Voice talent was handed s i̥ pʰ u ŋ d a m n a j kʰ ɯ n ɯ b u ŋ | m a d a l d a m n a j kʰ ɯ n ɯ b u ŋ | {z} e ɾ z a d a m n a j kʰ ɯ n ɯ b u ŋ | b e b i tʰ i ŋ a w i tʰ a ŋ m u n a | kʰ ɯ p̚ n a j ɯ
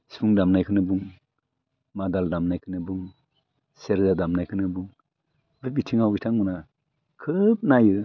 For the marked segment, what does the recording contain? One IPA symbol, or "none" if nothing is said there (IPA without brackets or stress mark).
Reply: s